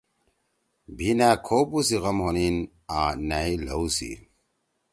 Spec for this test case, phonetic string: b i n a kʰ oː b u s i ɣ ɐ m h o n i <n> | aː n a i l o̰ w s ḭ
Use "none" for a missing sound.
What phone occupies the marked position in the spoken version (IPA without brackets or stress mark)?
n